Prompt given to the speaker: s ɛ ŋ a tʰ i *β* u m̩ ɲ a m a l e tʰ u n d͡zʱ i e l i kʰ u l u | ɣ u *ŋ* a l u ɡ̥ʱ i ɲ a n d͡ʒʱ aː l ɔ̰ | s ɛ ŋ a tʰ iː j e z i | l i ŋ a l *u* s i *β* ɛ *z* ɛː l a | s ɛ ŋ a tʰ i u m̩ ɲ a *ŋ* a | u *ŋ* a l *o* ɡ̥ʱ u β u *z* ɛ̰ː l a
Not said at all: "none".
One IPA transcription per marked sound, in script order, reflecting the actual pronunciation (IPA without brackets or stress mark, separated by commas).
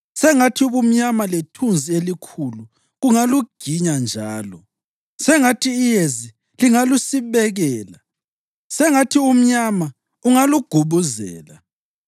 β, ŋ, u, β, ɣ, m, ŋ, u, z